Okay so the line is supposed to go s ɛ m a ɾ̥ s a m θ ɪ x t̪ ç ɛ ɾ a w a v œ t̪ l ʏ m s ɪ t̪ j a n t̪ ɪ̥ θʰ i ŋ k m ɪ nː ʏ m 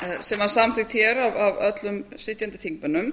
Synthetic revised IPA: s ɛ m a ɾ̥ s a m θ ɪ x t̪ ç ɛ ɾ a v a v œ t̪ l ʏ m s ɪ t̪ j a n t̪ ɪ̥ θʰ i ŋ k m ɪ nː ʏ m